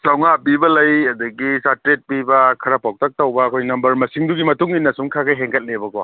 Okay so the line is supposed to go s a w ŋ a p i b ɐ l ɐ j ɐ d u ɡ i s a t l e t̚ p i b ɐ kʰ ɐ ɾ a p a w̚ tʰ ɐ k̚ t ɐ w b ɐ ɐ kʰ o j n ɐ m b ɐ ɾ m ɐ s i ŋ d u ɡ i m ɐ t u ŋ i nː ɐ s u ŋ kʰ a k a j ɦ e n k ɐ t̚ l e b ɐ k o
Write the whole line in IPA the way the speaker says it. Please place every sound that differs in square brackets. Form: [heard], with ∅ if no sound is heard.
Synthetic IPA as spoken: s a w ŋ a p i b ɐ l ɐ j ɐ d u ɡ i s a t [ɾ] e t̚ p i b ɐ kʰ ɐ ɾ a p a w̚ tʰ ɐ k̚ t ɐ w b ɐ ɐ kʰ o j n ɐ m b ɐ ɾ m ɐ s i ŋ d u ɡ i m ɐ t u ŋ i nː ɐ s u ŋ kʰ a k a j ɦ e [ŋ] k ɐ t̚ l e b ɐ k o